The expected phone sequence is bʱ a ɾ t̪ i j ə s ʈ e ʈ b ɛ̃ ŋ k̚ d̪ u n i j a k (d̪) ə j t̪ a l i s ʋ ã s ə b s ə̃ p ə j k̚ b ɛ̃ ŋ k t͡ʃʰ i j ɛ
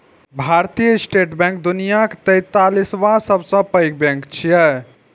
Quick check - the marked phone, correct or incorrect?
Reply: incorrect: t̪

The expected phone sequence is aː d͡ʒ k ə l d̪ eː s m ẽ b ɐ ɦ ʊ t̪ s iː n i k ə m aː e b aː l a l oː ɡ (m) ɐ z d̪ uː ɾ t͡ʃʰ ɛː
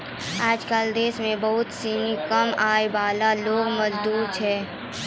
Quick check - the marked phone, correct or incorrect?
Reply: correct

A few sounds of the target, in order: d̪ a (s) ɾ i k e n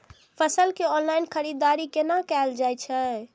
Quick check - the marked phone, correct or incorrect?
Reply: incorrect: none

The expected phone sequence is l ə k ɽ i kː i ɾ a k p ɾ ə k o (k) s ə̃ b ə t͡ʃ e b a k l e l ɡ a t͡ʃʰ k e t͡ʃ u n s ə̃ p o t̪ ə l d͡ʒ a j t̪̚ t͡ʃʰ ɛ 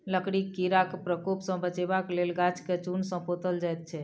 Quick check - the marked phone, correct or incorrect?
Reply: incorrect: p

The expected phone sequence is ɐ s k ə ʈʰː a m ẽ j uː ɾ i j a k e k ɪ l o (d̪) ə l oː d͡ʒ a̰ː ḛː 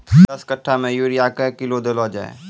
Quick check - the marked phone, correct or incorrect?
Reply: correct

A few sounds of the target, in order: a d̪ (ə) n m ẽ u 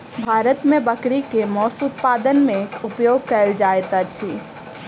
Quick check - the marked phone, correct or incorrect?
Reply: correct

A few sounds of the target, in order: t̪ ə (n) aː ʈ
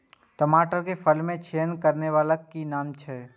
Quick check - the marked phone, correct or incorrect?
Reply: incorrect: m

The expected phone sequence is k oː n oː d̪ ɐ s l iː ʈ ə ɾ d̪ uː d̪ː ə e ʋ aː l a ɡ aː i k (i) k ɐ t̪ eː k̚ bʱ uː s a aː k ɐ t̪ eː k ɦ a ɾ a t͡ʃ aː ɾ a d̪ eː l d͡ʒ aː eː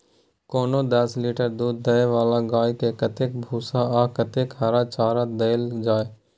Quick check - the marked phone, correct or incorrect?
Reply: incorrect: e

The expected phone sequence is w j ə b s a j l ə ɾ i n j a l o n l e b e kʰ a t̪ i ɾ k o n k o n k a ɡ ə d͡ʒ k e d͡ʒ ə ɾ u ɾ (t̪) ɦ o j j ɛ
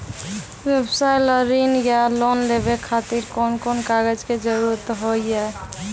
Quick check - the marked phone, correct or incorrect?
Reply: correct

